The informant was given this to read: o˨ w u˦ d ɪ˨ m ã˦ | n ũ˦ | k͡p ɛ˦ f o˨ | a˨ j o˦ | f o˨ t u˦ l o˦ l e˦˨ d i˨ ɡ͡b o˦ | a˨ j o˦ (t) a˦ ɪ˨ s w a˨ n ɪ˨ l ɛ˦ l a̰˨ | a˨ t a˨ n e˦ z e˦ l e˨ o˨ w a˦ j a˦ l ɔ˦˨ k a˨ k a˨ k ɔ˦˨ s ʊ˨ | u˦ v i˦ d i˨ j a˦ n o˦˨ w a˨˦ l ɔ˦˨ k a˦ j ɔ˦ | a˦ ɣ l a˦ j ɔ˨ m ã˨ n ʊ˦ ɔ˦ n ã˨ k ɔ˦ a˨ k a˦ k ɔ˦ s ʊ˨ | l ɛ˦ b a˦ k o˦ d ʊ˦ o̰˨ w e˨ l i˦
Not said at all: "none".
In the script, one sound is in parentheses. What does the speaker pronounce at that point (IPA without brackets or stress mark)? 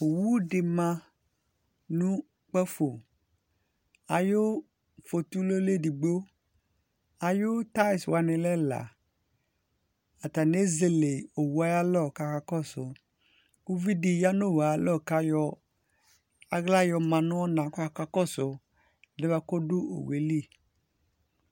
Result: t